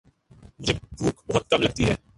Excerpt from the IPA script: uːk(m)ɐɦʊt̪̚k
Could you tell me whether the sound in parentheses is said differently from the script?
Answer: yes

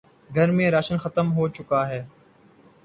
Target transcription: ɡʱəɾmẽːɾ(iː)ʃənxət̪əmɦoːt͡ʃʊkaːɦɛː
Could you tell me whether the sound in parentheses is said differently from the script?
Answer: yes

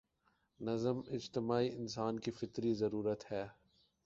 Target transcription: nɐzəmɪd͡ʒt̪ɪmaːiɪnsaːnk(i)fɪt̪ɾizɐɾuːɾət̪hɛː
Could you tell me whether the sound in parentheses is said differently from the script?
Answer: no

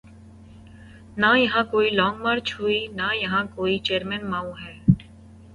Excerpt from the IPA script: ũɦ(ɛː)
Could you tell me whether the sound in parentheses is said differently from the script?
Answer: no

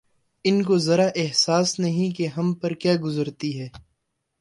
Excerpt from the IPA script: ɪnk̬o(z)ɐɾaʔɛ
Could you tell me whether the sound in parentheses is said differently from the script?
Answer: no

